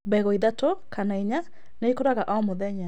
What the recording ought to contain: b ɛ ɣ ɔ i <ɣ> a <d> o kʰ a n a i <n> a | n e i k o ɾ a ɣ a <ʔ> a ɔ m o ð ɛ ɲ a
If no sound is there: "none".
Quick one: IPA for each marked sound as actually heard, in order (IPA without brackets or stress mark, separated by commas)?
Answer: ð, t, ɲ, ʔ